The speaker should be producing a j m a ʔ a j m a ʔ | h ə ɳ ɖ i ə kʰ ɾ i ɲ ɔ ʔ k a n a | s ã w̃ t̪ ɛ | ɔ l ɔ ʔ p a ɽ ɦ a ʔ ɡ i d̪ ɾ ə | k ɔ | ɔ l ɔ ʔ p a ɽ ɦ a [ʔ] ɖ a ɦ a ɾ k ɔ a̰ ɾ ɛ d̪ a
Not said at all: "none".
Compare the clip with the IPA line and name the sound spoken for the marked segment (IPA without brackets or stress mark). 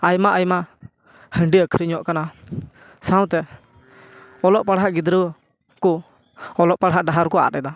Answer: ʔ